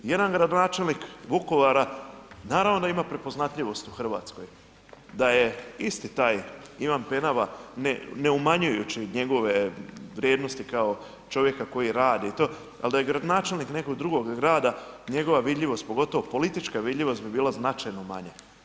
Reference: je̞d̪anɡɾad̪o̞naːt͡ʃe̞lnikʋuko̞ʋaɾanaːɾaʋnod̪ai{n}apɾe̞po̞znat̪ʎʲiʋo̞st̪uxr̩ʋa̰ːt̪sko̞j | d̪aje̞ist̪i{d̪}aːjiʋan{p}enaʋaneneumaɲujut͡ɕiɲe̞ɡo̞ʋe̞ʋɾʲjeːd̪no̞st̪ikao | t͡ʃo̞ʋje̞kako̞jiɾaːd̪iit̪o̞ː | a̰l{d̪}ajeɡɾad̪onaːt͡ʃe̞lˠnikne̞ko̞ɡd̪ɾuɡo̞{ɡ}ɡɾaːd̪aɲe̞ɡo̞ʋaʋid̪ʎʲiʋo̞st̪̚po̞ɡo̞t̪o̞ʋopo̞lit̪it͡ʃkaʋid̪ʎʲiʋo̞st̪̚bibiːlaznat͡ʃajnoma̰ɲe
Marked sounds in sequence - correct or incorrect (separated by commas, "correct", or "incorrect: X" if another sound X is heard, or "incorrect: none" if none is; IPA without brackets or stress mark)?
incorrect: m, incorrect: t̪, correct, correct, correct